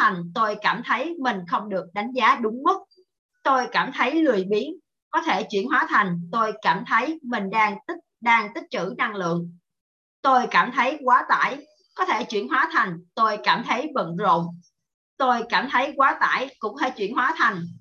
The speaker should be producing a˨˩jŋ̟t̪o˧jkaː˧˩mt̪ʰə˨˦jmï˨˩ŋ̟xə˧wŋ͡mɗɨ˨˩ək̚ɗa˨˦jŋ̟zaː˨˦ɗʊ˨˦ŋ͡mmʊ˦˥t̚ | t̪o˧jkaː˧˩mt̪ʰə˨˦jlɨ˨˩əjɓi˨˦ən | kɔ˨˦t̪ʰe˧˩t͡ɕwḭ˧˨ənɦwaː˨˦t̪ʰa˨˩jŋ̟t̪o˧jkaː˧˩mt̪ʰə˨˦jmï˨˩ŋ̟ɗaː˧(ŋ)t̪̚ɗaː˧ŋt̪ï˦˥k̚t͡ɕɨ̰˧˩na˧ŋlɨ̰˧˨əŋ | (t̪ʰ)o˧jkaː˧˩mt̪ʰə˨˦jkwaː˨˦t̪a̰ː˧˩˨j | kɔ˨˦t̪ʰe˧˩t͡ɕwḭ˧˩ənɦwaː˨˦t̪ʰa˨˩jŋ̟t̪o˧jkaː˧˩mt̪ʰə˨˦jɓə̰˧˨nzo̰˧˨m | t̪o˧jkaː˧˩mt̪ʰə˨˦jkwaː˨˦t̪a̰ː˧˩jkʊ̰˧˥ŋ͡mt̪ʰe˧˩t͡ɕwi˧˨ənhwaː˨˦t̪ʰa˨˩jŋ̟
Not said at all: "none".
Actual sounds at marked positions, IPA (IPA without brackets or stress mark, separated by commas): ŋ, t̪